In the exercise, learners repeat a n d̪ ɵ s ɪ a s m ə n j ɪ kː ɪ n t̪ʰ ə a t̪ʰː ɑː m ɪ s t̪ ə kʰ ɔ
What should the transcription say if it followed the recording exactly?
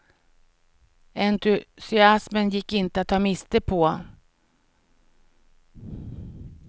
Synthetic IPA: ɛ n t̪ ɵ s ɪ a s m ə n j ɪ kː ɪ n t̪ ə a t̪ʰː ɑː m ɪ s t̪ ə pʰ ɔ